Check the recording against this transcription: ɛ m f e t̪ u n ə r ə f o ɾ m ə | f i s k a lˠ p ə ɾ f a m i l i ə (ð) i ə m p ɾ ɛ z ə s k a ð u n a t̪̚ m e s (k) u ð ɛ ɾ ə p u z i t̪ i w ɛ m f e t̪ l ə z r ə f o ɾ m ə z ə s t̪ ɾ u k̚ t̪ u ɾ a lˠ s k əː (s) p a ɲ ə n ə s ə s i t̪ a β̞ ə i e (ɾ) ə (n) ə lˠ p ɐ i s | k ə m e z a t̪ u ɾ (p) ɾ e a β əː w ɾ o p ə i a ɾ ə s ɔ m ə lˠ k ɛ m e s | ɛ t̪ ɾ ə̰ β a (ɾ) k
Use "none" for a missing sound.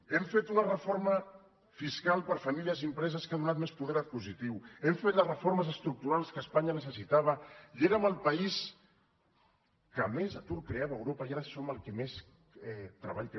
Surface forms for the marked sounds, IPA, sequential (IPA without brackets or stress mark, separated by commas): z, p, s, ɾ, m, k, ʎ